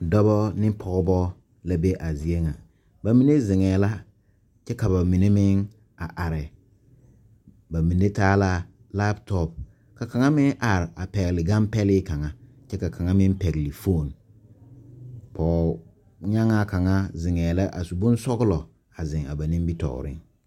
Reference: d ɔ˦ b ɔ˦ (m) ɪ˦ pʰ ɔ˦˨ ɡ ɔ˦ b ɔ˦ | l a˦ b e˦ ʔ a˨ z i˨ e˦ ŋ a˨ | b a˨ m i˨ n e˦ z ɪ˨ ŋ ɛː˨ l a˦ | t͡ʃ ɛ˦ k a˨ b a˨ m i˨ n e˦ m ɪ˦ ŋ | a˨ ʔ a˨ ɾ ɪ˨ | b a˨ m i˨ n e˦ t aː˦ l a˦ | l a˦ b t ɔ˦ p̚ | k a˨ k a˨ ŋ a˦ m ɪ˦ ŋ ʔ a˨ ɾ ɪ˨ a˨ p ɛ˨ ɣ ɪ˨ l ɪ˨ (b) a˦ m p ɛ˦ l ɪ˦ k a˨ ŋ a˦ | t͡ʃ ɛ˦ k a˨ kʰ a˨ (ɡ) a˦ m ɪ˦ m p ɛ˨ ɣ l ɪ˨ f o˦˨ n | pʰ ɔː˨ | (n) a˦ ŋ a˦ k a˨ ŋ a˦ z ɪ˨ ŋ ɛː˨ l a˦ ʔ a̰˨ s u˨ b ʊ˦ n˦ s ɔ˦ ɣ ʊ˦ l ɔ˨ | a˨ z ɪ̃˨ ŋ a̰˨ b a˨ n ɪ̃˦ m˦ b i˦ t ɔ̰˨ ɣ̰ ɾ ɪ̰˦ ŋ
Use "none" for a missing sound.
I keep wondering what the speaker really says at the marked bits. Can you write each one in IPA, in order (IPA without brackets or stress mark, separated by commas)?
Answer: n, ɡ, ŋ, ɲ